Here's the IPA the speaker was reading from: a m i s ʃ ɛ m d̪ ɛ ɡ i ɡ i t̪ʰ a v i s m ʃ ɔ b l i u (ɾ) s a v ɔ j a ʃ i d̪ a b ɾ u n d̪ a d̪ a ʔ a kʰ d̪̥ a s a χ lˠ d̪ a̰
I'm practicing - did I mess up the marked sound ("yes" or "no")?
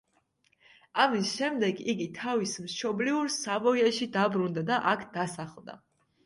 no